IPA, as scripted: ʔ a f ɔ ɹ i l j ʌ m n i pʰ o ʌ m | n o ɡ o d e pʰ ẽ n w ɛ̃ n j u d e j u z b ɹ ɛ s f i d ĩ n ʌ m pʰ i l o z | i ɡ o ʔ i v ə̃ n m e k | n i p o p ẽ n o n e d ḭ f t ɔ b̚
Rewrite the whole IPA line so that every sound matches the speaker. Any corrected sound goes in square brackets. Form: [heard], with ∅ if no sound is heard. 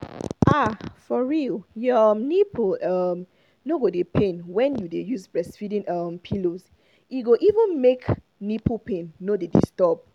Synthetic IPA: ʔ a f ɔ ɹ i l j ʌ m n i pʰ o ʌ m | n o ɡ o d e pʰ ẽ n w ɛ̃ n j u d e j u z b ɹ ɛ s f i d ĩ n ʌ m pʰ i l o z | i ɡ o ʔ i v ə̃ n m e k | n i p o p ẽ [nː] o [d] e d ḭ [s] t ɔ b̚